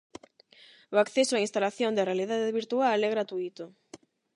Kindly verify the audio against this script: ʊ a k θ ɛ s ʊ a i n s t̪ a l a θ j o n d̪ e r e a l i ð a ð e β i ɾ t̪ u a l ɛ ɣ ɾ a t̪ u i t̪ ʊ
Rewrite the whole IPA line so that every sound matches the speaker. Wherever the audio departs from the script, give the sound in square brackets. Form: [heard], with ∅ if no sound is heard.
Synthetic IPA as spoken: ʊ a k θ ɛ s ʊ a i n s t̪ a l a θ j o n d̪ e r e a l i ð a ð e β i ɾ t̪ u a l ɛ ɣ ɾ a t̪ u i t̪ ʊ